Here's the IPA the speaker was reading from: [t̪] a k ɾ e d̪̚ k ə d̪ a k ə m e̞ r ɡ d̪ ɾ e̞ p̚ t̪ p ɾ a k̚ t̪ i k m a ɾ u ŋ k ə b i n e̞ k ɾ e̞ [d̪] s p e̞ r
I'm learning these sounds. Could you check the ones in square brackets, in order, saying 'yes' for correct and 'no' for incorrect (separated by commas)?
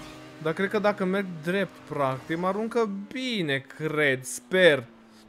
no, yes